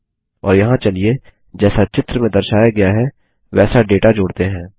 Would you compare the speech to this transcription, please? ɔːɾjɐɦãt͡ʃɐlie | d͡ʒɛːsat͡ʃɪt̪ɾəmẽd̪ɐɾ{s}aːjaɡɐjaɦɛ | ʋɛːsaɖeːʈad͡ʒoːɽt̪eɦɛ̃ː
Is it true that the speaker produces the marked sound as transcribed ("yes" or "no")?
no